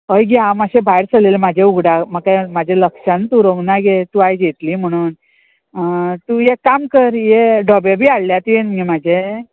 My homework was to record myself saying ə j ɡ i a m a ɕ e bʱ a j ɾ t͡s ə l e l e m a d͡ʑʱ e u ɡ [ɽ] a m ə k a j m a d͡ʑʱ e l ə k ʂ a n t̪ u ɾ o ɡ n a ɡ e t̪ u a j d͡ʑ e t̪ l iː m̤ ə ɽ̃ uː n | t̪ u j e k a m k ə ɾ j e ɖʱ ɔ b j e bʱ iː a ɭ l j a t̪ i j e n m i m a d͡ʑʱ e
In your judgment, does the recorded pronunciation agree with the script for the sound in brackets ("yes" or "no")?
yes